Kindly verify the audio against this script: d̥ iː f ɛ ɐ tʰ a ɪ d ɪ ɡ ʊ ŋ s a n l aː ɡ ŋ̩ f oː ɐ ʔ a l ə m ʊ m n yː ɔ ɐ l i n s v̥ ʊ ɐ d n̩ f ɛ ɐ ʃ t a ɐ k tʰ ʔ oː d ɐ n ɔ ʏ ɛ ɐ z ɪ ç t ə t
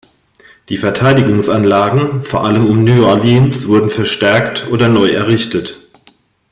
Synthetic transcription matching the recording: d̥ iː f ɛ ɐ tʰ a ɪ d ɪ ɡ ʊ ŋ s a n l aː ɡ ŋ̩ f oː ɐ ʔ a l ə m ʊ m n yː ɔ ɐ l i n s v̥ ʊ ɐ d n̩ f ɛ ɐ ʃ t ɛ ɐ k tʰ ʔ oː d ɐ n ɔ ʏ ɛ ɐ ʁ ɪ ç t ə t

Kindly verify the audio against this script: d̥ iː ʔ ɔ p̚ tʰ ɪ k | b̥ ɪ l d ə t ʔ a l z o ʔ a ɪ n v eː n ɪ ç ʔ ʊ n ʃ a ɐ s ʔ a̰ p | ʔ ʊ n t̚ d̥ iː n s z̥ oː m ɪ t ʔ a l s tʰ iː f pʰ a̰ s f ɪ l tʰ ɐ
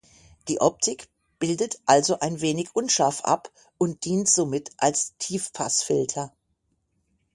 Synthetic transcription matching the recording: d̥ iː ʔ ɔ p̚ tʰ ɪ k | b̥ ɪ l d ə t ʔ a l z o ʔ a ɪ n v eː n ɪ ç ʔ ʊ n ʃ a ɐ f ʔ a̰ p | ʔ ʊ n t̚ d̥ iː n t z̥ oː m ɪ t ʔ a l s tʰ iː f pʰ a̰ s f ɪ l tʰ ɐ

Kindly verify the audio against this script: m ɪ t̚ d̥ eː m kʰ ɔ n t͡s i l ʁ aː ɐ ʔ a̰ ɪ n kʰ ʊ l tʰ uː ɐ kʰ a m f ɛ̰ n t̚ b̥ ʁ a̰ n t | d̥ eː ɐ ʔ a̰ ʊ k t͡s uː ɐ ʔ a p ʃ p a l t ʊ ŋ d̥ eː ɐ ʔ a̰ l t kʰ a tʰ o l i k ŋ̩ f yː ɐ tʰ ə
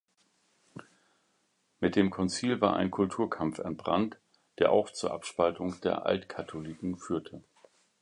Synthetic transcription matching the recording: m ɪ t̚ d̥ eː m kʰ ɔ n t͡s iː l v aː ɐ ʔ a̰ ɪ n kʰ ʊ l tʰ uː ɐ kʰ a m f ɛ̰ n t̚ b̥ ʁ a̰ n t | d̥ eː ɐ ʔ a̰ ʊ x t͡s uː ɐ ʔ a p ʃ p a l t ʊ ŋ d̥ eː ɐ ʔ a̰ l t kʰ a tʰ o l i k ŋ̩ f yː ɐ tʰ ə

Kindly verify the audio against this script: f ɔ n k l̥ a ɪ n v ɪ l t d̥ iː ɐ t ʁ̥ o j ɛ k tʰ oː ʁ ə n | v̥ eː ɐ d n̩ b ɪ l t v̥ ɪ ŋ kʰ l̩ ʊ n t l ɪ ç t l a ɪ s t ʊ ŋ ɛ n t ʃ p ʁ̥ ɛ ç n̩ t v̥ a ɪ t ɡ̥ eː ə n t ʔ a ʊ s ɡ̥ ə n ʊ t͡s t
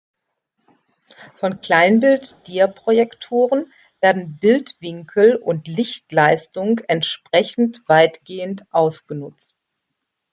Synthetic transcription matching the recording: f ɔ n k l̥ a ɪ n b ɪ l t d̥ iː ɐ p ʁ̥ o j ɛ k tʰ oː ʁ ə n | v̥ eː ɐ d n̩ b ɪ l t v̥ ɪ ŋ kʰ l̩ ʊ n t l ɪ ç t l a ɪ s t ʊ ŋ ɛ n t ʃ p ʁ̥ ɛ ç n̩ t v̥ a ɪ t ɡ̥ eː ə n t ʔ a ʊ s ɡ̥ ə n ʊ t͡s t

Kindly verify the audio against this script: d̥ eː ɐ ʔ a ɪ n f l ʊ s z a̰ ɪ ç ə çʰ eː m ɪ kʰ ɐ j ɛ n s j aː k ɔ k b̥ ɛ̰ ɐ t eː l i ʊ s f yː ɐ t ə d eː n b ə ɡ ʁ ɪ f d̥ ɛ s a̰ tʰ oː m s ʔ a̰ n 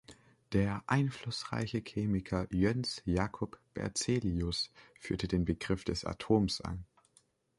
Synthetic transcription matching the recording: d̥ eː ɐ ʔ a ɪ n f l ʊ s ʁ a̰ ɪ ç ə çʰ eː m ɪ kʰ ɐ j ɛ n s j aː kʰ ɔ p b̥ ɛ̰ ɐ t͡s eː l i ʊ s f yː ɐ t ə d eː n b ə ɡ ʁ ɪ f d̥ ɛ s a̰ tʰ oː m s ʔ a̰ n

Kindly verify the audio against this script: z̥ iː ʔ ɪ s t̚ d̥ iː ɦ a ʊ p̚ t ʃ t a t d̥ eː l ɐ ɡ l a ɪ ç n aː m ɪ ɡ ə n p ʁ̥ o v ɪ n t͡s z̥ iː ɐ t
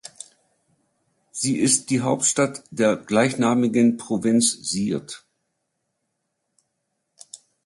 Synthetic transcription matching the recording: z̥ iː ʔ ɪ s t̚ d̥ iː ɦ a ʊ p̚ t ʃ t a t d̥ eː ɐ ɡ l a ɪ ç n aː m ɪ ɡ ə n p ʁ̥ o v ɪ n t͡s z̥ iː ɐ t

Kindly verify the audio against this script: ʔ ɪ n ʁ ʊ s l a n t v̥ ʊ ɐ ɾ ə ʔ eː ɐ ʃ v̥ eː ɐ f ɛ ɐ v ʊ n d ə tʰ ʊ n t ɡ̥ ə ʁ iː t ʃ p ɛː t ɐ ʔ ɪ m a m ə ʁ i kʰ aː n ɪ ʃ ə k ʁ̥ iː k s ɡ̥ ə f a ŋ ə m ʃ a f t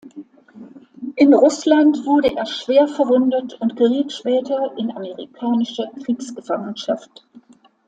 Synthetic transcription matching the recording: ʔ ɪ n ʁ ʊ s l a n t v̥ ʊ ɐ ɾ ə ʔ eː ɐ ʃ v̥ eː ɐ f ɛ ɐ v ʊ n d ə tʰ ʊ n t ɡ̥ ə ʁ iː t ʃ p ɛː t ɐ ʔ ɪ n a m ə ʁ i kʰ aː n ɪ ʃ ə k ʁ̥ iː k s ɡ̥ ə f a ŋ ə n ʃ a f t

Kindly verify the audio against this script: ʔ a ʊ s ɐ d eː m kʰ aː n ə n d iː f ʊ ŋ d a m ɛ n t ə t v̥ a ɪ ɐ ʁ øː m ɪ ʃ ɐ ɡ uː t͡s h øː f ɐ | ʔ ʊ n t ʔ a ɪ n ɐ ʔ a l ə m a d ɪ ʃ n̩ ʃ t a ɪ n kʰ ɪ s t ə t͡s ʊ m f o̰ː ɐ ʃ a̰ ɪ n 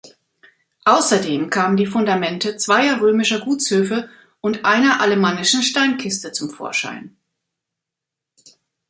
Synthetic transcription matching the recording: ʔ a ʊ s ɐ d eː m kʰ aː m ə n d iː f ʊ n d a m ɛ n t ə t͡s v̥ a ɪ ɐ ʁ øː m ɪ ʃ ɐ ɡ uː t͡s h øː f ə | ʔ ʊ n t ʔ a ɪ n ɐ ʔ a l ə m a n ɪ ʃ n̩ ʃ t a ɪ n kʰ ɪ s t ə t͡s ʊ m f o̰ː ɐ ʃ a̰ ɪ n

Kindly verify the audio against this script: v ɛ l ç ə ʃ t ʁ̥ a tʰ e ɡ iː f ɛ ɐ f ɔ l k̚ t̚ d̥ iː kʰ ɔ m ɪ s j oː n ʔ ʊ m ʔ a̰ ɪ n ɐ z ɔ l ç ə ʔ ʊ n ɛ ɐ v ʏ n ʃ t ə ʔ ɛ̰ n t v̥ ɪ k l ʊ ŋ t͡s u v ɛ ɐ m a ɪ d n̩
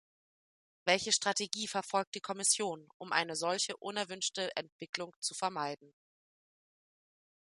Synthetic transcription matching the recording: v ɛ l ç ə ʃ t ʁ̥ a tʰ e ɡ iː f ɛ ɐ f ɔ l k̚ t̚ d̥ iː kʰ ɔ m ɪ s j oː n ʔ ʊ m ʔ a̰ ɪ n ə z ɔ l ç ə ʔ ʊ n ɛ ɐ v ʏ n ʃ t ə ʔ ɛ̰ n t v̥ ɪ k l ʊ ŋ t͡s u f ɛ ɐ m a ɪ d n̩

